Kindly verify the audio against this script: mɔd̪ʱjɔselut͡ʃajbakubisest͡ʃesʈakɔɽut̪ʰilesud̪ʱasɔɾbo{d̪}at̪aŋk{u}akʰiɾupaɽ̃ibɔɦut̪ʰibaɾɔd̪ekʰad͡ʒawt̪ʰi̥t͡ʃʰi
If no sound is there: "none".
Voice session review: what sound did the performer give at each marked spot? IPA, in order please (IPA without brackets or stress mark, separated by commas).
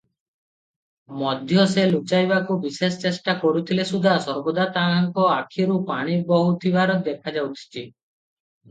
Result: d̪, ɔ